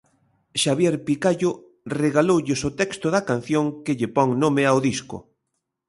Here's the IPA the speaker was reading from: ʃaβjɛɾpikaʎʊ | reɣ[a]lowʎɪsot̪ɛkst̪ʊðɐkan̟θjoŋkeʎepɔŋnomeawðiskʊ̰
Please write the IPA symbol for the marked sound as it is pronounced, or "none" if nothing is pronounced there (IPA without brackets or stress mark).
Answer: a